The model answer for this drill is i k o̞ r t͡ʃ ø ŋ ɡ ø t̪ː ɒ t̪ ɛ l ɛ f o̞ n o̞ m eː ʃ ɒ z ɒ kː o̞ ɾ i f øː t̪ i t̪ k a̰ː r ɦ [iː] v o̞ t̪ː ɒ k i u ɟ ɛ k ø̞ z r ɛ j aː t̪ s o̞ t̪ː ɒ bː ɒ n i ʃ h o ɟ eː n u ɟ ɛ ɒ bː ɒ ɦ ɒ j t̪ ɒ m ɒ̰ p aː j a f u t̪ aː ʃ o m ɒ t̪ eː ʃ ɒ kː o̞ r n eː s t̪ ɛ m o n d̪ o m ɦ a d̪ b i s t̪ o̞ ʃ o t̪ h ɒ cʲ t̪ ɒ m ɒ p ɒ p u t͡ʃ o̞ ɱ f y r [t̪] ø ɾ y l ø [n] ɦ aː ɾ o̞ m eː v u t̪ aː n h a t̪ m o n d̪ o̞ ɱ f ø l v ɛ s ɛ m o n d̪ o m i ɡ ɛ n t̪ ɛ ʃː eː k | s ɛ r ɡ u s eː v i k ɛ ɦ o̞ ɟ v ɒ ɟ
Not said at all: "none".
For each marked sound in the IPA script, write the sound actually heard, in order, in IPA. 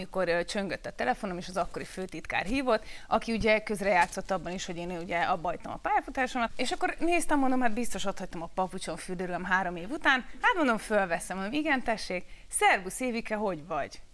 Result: iː, d̪, m

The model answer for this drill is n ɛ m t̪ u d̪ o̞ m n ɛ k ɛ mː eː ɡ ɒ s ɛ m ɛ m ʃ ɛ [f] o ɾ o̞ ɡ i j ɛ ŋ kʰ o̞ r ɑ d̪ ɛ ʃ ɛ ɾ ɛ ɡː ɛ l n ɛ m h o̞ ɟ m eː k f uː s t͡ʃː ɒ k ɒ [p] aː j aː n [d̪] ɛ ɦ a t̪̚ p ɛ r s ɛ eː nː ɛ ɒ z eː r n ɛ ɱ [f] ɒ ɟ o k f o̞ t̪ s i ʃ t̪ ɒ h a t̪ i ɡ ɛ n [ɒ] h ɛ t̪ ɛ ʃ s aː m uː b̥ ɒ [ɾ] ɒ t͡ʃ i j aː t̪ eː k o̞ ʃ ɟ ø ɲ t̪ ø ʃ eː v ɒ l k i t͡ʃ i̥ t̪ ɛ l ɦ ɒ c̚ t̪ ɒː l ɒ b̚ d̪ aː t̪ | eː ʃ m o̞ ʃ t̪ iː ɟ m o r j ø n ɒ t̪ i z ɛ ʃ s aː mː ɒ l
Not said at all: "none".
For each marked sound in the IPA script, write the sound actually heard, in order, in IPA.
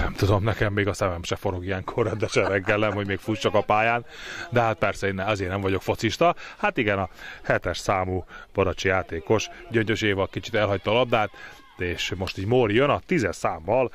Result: f, p, d̪, v, ɒ, ɾ

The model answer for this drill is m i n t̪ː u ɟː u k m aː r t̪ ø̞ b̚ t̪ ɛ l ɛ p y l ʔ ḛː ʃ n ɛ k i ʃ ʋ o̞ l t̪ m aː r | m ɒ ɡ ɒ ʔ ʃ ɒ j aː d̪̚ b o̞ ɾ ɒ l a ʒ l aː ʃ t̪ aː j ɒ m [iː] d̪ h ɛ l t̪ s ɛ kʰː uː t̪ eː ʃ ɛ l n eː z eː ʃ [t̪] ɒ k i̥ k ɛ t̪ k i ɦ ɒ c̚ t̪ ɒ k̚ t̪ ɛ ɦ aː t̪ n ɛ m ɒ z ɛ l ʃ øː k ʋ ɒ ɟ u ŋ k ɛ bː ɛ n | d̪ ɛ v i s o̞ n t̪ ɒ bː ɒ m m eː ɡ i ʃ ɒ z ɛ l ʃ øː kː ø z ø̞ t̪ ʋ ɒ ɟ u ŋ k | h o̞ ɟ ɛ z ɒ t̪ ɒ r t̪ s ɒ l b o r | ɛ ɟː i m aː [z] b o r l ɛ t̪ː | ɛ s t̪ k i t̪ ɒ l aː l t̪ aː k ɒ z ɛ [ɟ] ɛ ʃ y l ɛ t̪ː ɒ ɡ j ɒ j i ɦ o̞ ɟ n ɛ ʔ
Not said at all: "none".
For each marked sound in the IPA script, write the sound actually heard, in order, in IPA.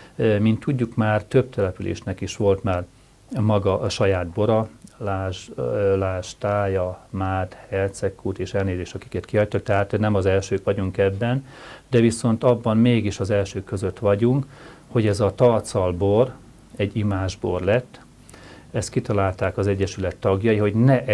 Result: aː, t̪, ʒ, ɟː

